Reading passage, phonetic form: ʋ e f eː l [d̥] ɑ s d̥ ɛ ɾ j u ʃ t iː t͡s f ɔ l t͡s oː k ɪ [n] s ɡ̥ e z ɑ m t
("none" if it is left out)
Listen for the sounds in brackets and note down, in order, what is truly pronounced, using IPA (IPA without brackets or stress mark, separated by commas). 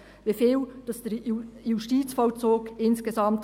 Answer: d̥, n